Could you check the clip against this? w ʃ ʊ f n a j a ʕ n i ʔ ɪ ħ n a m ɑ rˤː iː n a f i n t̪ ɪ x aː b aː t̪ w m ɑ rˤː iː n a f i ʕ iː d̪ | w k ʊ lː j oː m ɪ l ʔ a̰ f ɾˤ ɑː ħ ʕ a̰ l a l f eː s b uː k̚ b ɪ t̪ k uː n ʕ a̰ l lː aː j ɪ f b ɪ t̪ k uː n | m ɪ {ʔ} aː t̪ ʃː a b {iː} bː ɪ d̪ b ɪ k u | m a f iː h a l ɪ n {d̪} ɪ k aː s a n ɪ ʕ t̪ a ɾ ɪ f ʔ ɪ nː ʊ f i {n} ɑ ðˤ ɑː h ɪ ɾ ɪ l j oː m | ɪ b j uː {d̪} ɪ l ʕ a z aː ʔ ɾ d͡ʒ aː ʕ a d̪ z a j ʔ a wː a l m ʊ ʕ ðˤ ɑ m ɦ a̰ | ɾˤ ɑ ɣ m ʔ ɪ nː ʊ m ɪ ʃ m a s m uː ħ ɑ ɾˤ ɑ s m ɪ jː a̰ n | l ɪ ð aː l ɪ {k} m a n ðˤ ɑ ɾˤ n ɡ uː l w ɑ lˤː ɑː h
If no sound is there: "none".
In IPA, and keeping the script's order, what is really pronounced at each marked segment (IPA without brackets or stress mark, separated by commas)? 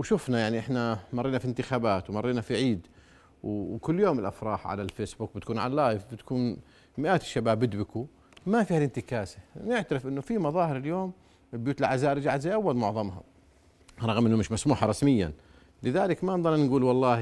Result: ʔ, aː, t̪, m, t̪, k